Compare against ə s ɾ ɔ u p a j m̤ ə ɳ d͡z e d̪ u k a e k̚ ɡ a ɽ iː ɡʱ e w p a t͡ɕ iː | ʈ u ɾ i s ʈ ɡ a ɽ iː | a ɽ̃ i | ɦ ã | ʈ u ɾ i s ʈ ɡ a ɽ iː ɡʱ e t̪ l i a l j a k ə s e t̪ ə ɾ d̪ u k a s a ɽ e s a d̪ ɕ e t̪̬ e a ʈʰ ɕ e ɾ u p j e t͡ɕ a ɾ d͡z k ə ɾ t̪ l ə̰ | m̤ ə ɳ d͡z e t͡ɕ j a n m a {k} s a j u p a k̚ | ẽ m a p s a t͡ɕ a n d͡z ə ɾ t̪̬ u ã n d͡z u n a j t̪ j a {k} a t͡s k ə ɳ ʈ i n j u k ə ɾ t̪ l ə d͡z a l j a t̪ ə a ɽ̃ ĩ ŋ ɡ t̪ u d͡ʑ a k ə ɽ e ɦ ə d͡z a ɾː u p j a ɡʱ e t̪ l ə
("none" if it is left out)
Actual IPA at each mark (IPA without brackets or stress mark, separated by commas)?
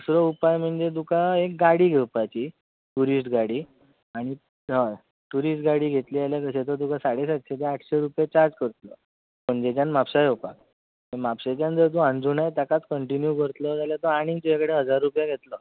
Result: p, k